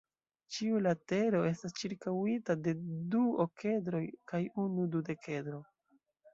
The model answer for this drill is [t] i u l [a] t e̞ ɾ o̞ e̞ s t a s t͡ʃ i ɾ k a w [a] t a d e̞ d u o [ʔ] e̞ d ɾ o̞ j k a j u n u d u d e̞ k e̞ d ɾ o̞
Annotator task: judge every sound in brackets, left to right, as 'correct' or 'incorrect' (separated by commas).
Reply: incorrect, correct, incorrect, incorrect